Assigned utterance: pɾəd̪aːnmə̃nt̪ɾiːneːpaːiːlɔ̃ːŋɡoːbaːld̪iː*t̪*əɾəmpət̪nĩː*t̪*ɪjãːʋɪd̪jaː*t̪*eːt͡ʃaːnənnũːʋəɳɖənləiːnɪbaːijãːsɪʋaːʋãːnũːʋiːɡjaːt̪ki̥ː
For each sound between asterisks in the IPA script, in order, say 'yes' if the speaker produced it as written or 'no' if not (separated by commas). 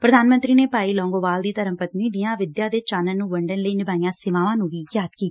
yes, no, no